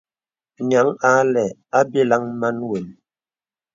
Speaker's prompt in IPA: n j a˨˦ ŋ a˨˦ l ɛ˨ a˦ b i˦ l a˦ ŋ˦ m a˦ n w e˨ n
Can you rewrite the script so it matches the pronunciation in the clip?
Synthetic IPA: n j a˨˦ ŋ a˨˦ l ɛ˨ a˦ b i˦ l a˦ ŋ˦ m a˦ n w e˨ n